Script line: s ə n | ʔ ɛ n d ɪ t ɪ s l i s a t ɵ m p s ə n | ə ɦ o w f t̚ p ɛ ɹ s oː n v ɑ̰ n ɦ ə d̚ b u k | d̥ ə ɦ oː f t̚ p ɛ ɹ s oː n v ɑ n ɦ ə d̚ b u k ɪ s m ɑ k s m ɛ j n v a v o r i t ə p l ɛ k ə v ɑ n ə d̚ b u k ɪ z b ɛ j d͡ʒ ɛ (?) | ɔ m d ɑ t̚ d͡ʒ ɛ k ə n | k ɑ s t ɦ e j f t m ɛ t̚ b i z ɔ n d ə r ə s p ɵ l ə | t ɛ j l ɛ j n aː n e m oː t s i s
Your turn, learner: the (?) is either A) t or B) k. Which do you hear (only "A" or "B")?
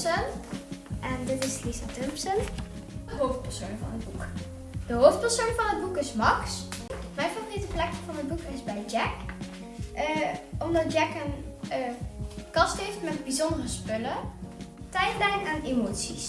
B